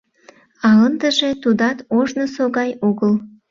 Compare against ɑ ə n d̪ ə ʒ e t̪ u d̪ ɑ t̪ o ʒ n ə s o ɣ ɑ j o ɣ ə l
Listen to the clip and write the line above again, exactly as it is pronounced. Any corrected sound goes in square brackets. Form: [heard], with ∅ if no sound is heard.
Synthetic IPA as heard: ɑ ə n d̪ ə ʒ e t̪ u d̪ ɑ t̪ o ʒ n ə s o ɣ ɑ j o ɣ ə l